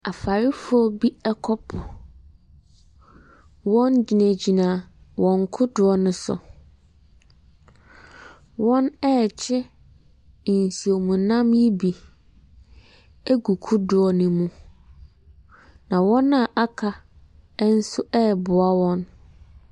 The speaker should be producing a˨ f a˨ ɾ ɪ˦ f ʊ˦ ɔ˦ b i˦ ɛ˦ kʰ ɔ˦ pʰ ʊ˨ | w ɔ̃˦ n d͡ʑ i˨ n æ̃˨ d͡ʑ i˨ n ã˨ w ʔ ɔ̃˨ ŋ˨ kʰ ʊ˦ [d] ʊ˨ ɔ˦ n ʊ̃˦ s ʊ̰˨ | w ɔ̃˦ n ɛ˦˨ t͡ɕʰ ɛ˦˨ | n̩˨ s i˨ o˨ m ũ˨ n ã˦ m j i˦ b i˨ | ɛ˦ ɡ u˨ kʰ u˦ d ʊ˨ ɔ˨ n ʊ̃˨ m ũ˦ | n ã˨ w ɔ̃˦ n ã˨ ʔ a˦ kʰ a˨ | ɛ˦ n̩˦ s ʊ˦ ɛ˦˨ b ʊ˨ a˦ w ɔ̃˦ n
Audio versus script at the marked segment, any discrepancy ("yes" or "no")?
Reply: no